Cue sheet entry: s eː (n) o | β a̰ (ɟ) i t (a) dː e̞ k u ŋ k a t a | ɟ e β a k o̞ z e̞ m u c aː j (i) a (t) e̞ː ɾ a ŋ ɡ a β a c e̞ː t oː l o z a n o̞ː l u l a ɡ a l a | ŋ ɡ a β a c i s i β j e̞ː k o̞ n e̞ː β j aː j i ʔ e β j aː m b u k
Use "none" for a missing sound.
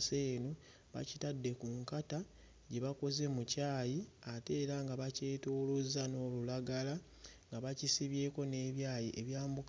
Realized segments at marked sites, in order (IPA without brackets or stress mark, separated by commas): n, c, a, i, t